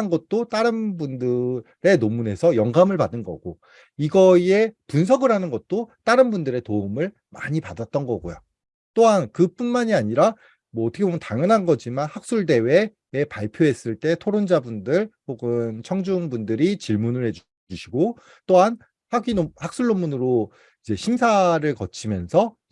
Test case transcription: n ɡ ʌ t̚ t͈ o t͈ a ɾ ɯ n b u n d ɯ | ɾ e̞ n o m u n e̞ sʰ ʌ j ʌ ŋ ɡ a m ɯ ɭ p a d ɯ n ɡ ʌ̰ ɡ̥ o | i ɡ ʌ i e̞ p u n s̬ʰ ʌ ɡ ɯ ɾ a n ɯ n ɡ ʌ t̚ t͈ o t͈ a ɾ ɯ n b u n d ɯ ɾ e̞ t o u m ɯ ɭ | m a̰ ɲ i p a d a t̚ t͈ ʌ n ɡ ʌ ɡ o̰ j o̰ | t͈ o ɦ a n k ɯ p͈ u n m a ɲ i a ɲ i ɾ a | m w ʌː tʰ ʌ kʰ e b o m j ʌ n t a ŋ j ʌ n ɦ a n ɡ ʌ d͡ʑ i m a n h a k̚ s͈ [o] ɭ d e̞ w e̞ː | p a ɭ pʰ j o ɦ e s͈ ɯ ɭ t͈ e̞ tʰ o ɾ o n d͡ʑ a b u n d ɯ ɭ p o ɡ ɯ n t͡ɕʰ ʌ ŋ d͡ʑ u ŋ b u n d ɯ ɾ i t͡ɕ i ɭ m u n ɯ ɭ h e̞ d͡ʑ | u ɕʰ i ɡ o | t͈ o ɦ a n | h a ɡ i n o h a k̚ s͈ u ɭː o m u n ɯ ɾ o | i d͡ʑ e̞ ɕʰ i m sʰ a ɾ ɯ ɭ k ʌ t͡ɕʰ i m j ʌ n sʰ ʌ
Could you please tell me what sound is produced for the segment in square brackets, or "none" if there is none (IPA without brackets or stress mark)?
u